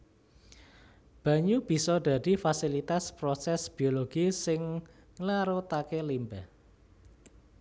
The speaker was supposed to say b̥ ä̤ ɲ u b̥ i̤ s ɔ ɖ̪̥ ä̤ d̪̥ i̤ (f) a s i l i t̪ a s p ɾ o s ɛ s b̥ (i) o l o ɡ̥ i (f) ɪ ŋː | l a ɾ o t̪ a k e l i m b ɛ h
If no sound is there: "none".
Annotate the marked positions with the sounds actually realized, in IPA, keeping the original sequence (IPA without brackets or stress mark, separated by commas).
f, i, s